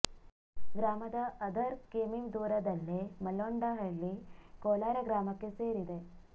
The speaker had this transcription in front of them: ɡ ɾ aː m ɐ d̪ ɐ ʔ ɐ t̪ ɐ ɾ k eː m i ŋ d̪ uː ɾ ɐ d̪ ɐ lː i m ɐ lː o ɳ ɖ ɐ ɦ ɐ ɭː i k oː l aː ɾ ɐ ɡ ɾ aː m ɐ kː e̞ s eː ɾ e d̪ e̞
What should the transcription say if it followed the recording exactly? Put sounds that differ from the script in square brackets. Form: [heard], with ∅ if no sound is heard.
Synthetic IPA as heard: ɡ ɾ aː m ɐ d̪ ɐ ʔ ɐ [d̪] ɐ ɾ k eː m i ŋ d̪ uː ɾ ɐ d̪ ɐ lː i m ɐ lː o ɳ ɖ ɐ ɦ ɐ ɭː i k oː l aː ɾ ɐ ɡ ɾ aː m ɐ kː e̞ s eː ɾ [i] d̪ e̞